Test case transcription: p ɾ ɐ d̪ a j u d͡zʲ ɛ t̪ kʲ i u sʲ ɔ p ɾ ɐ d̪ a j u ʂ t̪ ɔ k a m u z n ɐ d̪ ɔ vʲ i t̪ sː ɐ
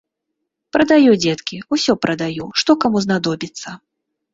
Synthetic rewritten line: p ɾ ɐ d̪ a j u d͡zʲ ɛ t̪ kʲ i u sʲ ɔ p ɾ ɐ d̪ a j u ʂ t̪ ɔ k a m u z n a d̪ ɔ bʲ i t̪ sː ɐ